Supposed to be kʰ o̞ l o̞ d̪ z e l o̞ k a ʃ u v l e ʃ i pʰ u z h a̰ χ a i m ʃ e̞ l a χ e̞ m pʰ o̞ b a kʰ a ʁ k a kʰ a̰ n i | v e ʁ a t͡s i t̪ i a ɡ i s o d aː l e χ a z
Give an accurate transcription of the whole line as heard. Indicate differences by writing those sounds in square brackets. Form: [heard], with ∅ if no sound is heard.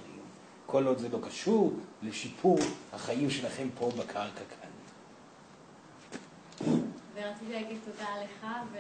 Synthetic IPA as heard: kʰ o̞ l o̞ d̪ z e l o̞ k a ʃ u [ʁ] l e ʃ i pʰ u [ʁ] h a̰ χ a i m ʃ e̞ l a χ e̞ m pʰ o̞ b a kʰ a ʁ k a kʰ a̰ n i | v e ʁ a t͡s i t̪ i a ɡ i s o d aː l e χ a [v]